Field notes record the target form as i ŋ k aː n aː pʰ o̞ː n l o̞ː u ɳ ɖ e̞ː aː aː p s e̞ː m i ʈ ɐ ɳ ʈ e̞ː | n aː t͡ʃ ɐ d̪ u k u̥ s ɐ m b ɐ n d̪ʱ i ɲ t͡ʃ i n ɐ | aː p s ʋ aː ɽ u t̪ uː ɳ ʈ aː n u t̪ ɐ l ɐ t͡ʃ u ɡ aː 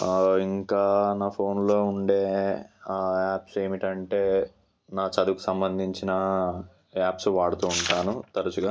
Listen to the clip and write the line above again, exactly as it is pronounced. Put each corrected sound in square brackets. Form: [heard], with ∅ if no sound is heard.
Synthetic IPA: i ŋ k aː n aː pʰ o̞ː n l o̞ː u ɳ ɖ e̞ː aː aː p s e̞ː m i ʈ ɐ ɳ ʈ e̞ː | n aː t͡ʃ ɐ d̪ u k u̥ s ɐ m b ɐ n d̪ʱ i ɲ t͡ʃ i n ɐ | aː p s ʋ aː ɽ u t̪ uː ɳ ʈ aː n u t̪ ɐ [ɾ] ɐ t͡ʃ u ɡ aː